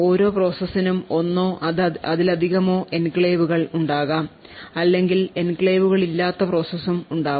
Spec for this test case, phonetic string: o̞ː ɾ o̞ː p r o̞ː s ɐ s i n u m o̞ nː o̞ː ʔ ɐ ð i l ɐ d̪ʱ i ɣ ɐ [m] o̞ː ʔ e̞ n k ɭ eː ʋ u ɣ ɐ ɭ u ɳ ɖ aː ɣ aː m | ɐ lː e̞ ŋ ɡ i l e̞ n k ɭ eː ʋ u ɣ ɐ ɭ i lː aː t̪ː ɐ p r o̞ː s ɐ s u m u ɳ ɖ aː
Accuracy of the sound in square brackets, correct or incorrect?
correct